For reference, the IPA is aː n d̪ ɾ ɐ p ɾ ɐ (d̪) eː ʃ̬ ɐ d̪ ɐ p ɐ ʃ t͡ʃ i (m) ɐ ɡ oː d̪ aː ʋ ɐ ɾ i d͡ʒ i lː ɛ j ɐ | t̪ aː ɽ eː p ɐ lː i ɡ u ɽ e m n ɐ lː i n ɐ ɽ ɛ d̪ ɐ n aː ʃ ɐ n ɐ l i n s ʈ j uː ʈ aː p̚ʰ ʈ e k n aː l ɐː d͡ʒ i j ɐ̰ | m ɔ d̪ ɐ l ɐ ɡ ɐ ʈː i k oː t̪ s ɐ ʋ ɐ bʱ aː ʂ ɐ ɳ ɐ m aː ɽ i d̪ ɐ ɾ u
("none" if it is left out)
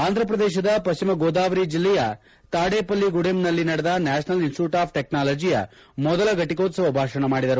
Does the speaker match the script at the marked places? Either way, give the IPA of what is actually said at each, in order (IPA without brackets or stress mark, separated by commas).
d̪, m